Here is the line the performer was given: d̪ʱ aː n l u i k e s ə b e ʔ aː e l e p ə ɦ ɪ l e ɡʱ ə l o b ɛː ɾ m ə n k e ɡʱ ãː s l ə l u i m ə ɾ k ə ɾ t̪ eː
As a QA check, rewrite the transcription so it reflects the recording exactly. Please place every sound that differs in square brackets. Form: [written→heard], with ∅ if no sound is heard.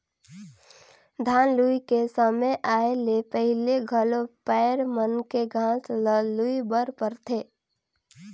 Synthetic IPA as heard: d̪ʱ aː n l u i k e s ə [b→m] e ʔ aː e l e p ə ɦ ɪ l e ɡʱ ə l o [b→p] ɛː ɾ m ə n k e ɡʱ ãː s l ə l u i [m→b] ə ɾ [k→p] ə ɾ [t̪→t̪ʰ] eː